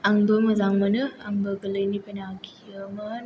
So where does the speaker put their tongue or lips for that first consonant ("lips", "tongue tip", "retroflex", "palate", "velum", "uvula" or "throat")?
velum